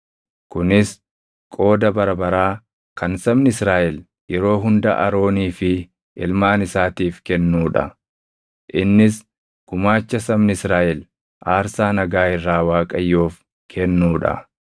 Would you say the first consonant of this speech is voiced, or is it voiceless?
voiceless